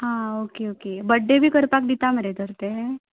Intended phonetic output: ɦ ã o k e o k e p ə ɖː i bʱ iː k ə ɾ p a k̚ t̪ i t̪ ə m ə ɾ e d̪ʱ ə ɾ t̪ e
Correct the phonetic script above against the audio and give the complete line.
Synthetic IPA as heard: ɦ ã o k e o k e b ə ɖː e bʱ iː k ə ɾ p a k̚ d̪ i t̪ a m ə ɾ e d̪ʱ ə ɾ t̪ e